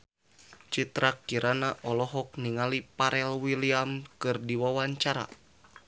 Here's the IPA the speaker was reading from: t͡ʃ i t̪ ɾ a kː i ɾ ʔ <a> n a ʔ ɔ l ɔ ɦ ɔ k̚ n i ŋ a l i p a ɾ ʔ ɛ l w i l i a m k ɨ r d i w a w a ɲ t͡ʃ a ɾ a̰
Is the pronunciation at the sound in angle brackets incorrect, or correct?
correct